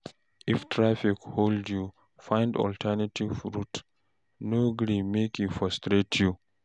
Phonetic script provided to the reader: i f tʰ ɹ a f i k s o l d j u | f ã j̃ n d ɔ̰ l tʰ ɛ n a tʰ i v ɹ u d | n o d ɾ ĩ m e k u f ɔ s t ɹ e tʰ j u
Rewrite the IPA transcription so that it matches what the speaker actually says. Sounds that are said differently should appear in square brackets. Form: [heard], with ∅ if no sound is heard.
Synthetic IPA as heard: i f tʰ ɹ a f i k [h] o l d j u | f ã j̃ n d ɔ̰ l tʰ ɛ n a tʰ i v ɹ u [t] | n o [ɡ] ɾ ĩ m e k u f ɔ s t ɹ e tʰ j u